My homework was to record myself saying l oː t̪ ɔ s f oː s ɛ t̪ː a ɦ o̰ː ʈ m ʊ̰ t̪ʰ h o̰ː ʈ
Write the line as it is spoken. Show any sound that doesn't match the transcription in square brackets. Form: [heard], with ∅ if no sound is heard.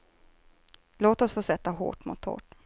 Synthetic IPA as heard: l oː t̪ ɔ s f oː s ɛ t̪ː a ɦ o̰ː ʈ m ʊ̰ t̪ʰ h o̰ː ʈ